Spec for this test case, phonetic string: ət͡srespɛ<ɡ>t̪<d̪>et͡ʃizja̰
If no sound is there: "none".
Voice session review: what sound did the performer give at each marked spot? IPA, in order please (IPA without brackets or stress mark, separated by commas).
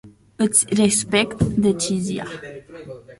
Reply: k, d̪